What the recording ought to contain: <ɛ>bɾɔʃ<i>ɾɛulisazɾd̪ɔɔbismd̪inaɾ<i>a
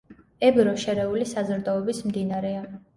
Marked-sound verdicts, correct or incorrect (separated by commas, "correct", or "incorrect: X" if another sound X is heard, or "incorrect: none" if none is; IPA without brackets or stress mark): correct, incorrect: ɛ, incorrect: ɛ